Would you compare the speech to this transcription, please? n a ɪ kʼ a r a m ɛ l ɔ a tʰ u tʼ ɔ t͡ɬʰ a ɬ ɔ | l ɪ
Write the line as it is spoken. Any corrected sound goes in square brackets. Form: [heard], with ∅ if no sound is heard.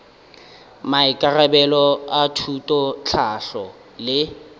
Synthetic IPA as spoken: [m] a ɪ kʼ a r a [b] ɛ l ɔ a tʰ u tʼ ɔ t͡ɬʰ a ɬ ɔ | l ɪ